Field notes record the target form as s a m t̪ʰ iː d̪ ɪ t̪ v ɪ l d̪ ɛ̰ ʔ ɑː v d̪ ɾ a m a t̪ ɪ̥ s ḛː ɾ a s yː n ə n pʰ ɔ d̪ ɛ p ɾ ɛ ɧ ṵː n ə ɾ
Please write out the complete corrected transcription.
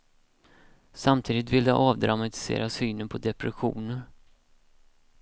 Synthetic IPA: s a m t̪ʰ iː d̪ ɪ t̪ v ɪ l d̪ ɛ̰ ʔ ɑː v d̪ ɾ a m a t̪ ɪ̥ s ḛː ɾ a s yː n ə n pʰ ɔ d̪ ɛ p ɾ ɛ ɧ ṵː n ə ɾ